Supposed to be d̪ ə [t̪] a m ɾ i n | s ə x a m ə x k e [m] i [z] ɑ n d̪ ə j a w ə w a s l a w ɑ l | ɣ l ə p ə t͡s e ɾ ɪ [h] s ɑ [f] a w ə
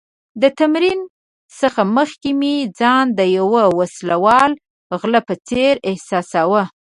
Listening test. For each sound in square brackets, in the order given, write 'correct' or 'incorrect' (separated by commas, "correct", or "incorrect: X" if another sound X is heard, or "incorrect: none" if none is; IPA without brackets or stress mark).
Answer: correct, correct, incorrect: d͡z, correct, incorrect: s